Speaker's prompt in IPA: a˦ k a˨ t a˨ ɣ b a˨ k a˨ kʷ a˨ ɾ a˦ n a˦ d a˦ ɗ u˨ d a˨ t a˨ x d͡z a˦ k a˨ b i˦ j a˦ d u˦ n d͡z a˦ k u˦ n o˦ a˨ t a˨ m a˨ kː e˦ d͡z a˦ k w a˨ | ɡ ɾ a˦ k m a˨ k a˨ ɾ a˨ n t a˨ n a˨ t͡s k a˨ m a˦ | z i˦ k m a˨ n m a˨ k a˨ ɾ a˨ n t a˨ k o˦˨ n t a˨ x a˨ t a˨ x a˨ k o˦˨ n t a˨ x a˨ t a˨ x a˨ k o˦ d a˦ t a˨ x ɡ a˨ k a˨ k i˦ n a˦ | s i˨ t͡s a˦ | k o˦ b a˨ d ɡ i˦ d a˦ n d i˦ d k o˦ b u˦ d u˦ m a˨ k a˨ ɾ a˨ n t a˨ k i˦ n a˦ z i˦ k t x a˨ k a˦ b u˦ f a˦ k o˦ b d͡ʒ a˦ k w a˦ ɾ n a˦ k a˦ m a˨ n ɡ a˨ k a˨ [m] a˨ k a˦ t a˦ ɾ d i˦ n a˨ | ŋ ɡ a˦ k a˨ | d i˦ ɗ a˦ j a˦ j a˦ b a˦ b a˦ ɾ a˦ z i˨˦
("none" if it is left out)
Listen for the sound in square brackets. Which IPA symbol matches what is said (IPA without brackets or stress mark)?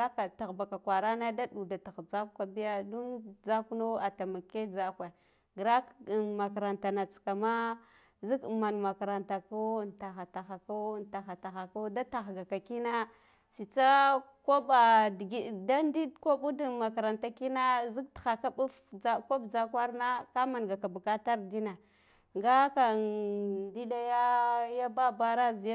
b